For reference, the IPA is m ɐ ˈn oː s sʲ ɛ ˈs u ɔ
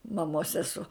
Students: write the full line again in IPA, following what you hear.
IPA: m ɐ ˈm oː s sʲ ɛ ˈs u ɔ